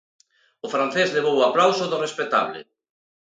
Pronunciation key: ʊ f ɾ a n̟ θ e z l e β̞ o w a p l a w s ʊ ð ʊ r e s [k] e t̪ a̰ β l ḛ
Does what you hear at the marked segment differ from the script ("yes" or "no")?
yes